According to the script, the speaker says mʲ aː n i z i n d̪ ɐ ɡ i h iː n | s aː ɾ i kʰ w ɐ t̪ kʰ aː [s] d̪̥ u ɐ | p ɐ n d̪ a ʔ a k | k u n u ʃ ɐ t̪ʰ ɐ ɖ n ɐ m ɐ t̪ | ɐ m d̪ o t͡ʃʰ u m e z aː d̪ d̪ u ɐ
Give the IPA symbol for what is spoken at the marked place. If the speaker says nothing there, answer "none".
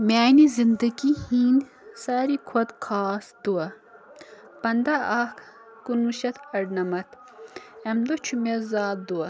s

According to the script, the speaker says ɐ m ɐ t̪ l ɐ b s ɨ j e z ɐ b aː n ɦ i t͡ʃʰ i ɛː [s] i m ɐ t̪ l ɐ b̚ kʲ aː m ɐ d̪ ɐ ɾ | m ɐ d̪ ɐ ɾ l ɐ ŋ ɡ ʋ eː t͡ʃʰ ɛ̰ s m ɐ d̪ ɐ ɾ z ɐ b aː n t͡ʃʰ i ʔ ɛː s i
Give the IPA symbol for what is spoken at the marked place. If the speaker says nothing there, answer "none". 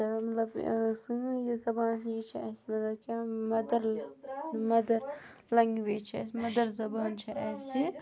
s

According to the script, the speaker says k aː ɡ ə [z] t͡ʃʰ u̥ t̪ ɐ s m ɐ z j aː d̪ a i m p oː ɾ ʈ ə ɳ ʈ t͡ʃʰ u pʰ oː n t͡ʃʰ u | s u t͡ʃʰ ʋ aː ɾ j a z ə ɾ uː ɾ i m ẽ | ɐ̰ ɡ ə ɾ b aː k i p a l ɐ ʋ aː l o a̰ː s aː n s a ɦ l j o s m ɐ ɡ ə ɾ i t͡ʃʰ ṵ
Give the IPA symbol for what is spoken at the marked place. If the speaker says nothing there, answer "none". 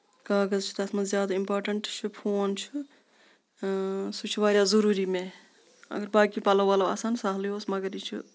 z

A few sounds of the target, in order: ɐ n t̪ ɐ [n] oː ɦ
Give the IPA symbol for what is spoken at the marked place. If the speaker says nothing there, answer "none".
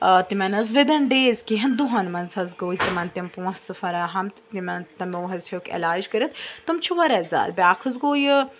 m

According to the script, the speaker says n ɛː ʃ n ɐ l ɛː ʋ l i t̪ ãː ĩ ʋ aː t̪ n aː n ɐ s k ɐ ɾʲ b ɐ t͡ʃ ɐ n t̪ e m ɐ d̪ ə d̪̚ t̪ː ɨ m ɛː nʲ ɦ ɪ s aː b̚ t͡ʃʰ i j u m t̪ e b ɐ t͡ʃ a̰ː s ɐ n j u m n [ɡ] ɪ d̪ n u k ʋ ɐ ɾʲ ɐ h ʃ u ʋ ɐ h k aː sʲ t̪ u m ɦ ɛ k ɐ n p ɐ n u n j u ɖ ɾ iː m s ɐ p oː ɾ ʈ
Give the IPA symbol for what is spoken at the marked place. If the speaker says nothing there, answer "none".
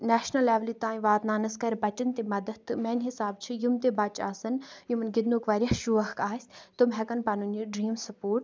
ɡ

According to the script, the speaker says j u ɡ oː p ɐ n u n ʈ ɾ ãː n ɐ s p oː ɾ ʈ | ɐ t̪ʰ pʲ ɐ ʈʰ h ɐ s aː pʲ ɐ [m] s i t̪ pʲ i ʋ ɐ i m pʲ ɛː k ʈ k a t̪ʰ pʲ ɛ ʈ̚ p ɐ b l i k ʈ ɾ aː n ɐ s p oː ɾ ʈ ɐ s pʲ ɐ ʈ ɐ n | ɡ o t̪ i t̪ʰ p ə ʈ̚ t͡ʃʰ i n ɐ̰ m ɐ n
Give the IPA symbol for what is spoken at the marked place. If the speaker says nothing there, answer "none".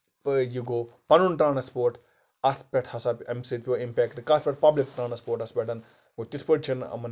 m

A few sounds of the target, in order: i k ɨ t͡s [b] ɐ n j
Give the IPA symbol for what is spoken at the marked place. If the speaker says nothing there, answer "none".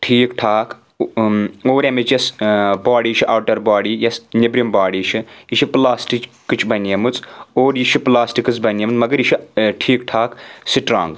b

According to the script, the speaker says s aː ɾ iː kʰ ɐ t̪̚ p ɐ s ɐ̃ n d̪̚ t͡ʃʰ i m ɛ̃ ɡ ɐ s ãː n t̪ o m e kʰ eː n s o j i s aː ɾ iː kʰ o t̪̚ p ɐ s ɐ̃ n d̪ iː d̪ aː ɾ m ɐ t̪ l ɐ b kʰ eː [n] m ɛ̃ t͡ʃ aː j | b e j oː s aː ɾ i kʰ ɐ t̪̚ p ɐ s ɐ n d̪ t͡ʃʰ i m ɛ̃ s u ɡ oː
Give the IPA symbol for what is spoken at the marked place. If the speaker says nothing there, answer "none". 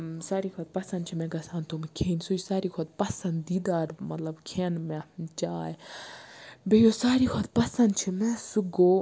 n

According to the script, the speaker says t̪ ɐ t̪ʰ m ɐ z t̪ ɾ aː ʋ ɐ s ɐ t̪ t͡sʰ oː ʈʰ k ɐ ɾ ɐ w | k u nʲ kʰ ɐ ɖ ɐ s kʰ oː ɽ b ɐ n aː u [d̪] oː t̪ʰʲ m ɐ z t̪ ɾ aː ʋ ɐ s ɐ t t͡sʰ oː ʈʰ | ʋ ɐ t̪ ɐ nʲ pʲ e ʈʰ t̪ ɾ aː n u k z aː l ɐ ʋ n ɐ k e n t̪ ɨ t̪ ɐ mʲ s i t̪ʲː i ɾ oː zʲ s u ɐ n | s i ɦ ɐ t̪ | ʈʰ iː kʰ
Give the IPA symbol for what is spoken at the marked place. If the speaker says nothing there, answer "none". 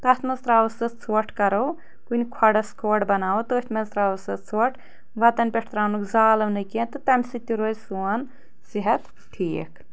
t̪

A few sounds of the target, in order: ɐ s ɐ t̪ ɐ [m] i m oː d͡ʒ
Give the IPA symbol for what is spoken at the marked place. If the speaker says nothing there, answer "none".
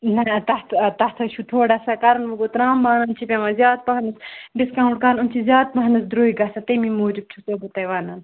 m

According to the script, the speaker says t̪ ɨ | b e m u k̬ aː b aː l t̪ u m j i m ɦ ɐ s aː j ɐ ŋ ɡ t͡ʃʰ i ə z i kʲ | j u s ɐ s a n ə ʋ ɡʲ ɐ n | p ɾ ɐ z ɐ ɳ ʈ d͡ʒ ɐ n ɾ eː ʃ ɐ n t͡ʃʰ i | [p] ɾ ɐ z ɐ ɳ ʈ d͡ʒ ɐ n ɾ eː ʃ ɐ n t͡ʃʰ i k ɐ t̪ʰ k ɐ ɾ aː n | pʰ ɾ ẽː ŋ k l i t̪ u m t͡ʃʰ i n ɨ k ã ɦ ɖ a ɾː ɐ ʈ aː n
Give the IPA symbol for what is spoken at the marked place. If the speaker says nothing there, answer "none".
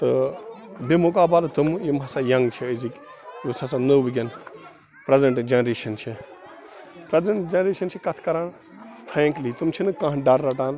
p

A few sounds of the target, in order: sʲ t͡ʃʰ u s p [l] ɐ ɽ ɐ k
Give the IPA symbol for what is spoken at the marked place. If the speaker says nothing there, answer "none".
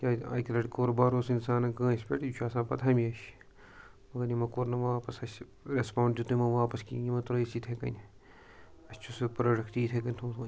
ɾ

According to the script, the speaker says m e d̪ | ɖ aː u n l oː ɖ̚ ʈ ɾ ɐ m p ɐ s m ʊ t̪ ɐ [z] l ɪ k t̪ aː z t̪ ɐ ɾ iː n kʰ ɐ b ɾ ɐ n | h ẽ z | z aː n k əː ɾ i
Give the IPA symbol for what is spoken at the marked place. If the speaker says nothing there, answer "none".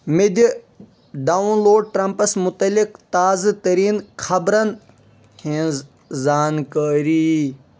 none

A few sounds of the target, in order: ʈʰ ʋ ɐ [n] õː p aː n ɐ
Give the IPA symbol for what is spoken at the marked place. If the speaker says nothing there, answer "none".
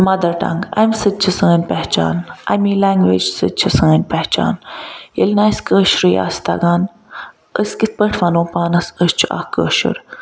n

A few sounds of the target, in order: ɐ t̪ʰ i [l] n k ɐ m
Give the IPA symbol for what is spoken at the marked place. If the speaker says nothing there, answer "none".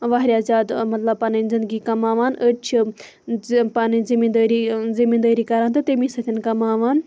none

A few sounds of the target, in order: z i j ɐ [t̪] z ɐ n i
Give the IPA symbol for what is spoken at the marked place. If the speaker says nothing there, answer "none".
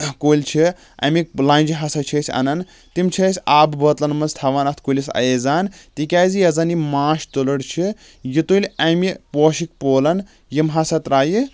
none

